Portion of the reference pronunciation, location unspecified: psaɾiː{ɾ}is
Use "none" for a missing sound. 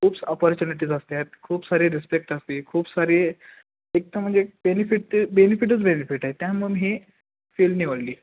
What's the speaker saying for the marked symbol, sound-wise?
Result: ɾ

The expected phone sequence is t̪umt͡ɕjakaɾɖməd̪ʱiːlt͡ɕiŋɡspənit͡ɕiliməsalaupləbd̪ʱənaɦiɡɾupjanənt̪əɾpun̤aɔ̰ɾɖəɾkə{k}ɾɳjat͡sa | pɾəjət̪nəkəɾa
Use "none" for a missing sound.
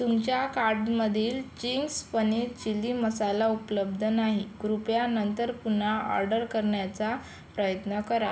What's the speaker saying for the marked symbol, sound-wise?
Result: none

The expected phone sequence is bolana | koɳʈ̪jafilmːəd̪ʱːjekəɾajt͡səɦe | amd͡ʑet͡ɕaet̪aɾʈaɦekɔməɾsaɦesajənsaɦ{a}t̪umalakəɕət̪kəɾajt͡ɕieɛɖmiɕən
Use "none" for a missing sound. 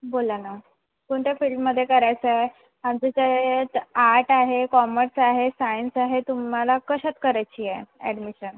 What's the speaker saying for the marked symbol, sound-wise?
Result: e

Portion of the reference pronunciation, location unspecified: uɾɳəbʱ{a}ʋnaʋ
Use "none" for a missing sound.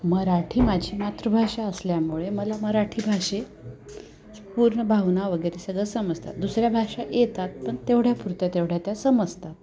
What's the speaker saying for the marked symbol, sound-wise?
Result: a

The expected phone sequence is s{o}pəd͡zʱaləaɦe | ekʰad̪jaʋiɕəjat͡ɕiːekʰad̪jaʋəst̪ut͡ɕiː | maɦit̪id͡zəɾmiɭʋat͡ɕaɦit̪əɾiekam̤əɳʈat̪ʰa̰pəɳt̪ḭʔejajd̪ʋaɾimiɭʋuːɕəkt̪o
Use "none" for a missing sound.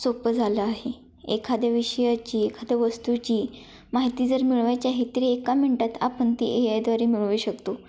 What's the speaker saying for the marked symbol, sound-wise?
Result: o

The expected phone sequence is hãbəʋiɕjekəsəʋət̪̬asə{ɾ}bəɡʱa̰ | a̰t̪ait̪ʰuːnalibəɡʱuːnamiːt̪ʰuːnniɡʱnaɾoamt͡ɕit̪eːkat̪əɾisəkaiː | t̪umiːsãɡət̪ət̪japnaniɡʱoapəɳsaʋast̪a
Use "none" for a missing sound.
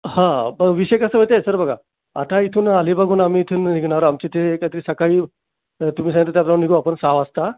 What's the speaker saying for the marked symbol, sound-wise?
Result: ɾ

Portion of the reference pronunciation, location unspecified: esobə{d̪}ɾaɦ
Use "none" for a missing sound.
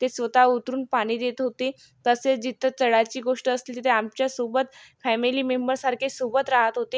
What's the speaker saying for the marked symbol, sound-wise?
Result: t̪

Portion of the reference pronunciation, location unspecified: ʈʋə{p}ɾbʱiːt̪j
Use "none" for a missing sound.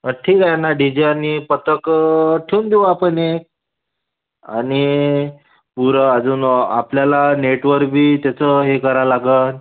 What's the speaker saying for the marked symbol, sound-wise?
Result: none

